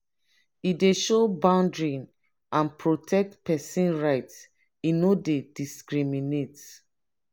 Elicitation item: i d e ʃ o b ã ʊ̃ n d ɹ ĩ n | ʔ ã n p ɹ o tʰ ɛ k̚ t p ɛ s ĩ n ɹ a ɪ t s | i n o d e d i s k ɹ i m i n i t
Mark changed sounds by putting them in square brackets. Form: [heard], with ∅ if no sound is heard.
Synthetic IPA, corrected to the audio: i d e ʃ o b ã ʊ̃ n d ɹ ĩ n | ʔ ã n p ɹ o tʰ ɛ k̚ t p ɛ s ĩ n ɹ a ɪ t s | i n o d e d i s k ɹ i m i n [e] t